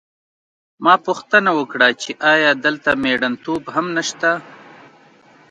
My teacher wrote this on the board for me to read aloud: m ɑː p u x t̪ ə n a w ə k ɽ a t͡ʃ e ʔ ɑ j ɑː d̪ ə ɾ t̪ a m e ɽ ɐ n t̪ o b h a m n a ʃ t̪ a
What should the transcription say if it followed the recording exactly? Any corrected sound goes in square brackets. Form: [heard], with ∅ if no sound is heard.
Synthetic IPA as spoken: m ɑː p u x t̪ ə n a w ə k ɽ a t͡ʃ e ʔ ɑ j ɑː d̪ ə [l] t̪ a m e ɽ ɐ n t̪ o b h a m n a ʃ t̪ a